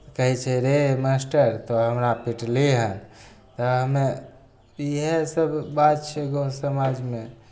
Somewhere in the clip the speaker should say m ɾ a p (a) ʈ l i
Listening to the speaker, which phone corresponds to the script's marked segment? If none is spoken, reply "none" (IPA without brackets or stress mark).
i